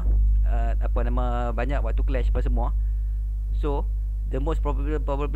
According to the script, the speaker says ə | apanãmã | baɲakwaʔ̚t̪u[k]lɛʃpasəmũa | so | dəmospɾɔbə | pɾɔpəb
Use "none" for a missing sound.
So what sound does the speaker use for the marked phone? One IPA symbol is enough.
k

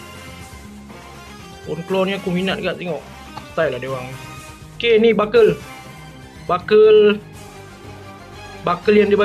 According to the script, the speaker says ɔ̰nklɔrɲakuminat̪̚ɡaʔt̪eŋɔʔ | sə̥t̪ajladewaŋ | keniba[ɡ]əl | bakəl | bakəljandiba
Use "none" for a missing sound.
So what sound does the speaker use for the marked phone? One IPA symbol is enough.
k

